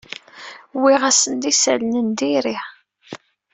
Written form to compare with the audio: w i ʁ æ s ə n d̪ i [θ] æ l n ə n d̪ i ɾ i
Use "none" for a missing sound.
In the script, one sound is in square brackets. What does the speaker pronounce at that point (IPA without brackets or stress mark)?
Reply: s